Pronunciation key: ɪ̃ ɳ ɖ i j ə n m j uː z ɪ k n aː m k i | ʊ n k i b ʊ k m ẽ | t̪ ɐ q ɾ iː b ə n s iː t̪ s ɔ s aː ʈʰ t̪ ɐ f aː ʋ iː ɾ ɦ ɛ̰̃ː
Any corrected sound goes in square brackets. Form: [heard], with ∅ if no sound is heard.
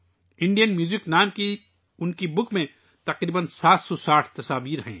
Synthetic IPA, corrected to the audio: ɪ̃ ɳ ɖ i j ə n m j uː z ɪ k n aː m k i | ʊ n k i b ʊ k m ẽ | t̪ ɐ q ɾ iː b ə n s [aː] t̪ s ɔ s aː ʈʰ t̪ ɐ [s] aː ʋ iː ɾ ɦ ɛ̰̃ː

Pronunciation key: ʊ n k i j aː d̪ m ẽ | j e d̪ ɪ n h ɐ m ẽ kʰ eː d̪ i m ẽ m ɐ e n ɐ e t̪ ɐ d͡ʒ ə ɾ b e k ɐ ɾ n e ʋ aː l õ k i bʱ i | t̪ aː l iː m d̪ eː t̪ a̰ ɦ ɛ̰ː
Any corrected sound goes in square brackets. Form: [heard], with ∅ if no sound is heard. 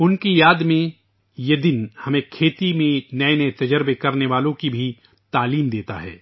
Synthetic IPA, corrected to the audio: ʊ n k i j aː d̪ m ẽ | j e d̪ ɪ n h ɐ m ẽ kʰ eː [t̪] i m ẽ [n] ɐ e n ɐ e t̪ ɐ d͡ʒ ə ɾ b e k ɐ ɾ n e ʋ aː l õ k i bʱ i | t̪ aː l iː m d̪ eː t̪ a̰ ɦ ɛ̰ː

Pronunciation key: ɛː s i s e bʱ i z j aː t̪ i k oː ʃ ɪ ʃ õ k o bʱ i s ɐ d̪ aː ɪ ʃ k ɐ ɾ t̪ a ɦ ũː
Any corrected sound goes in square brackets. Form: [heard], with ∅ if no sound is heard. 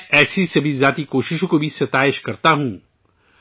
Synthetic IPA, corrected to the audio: ɛː s i s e bʱ i z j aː t̪ i k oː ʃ ɪ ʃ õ k o bʱ i s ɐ [t̪] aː ɪ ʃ k ɐ ɾ t̪ a ɦ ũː

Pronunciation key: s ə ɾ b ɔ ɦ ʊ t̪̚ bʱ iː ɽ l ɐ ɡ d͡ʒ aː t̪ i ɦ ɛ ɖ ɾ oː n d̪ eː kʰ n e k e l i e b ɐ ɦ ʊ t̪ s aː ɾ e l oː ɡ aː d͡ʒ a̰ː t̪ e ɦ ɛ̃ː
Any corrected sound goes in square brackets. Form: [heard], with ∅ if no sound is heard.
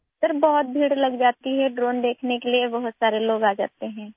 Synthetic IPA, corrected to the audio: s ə ɾ b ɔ ɦ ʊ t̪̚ bʱ iː ɽ l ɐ ɡ d͡ʒ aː t̪ i ɦ ɛ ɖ ɾ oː n d̪ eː kʰ n e k e l i e b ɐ ɦ ʊ t̪ s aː ɾ e l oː ɡ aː d͡ʒ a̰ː t̪ e ɦ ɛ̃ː

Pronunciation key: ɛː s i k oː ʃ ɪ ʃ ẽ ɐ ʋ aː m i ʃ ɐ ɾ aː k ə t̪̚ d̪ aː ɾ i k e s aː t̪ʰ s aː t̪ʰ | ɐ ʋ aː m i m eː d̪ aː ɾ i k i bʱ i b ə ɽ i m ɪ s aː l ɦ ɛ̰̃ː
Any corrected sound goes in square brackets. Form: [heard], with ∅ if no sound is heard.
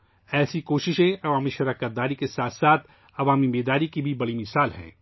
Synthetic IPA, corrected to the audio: ɛː s i k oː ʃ ɪ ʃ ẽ ɐ ʋ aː m i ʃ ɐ ɾ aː k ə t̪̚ d̪ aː ɾ i k e s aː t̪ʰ s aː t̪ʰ | ɐ ʋ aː m i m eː d̪ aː ɾ i k i bʱ i b [ɐ] ɽ i m ɪ s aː l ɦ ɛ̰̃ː

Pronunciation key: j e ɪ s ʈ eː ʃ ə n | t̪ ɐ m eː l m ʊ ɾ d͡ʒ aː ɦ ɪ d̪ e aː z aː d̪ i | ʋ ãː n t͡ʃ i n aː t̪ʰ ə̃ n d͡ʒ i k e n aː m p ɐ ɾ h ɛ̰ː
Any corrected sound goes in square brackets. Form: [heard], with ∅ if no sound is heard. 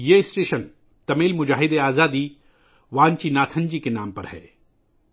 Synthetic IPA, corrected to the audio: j e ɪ s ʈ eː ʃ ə n | t̪ ɐ m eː l m ʊ [∅] d͡ʒ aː ɦ ɪ d̪ e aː z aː d̪ i | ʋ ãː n t͡ʃ i n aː t̪ʰ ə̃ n d͡ʒ i k e n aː m p ɐ ɾ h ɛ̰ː

